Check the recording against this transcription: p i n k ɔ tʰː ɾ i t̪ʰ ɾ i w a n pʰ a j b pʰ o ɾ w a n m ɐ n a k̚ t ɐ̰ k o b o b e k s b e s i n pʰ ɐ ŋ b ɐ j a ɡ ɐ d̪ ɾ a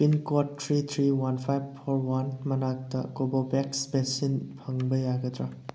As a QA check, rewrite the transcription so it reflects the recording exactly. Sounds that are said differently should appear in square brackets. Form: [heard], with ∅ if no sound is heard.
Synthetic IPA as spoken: p i n k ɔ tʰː ɾ i t̪ʰ ɾ i w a n pʰ a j b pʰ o ɾ w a n m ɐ n a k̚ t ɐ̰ k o b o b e k s b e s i n pʰ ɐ ŋ b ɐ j a ɡ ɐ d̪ ɾ a